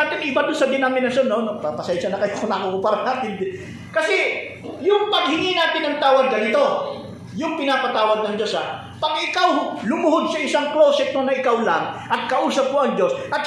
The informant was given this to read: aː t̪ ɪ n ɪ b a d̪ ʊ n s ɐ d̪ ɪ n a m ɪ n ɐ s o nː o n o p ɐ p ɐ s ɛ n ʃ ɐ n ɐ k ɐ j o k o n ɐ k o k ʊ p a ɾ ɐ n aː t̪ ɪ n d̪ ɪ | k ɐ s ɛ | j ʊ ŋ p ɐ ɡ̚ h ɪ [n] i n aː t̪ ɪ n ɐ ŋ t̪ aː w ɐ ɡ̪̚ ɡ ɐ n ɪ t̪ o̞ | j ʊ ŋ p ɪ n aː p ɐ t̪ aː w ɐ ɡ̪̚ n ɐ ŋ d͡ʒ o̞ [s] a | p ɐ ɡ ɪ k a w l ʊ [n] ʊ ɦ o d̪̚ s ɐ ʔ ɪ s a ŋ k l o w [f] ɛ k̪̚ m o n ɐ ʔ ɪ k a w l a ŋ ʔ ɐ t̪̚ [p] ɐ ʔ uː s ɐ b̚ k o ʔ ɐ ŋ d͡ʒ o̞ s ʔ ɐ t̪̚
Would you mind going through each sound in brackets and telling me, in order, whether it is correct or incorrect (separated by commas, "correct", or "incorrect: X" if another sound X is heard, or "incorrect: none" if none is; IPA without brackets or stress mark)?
incorrect: ŋ, correct, incorrect: m, incorrect: s, incorrect: k